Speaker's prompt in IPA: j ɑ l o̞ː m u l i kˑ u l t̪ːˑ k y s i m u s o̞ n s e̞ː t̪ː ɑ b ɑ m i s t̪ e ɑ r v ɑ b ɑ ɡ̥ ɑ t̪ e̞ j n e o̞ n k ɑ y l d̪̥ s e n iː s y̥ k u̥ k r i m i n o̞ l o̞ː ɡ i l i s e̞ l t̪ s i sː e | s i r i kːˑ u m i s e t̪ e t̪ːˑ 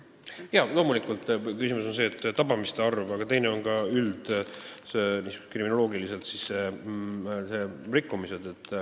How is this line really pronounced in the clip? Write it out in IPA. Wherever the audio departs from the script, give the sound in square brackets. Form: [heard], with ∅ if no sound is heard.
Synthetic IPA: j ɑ l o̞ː m u l i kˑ u l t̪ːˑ k y s i m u s o̞ n s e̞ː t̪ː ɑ b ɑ m i s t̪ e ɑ r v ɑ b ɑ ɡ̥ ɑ t̪ e̞ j n e o̞ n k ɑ y l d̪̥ s e n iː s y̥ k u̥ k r i m i n o̞ l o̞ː ɡ i l i s e̞ l t̪ s i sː e | s [e] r i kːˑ u m i s e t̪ e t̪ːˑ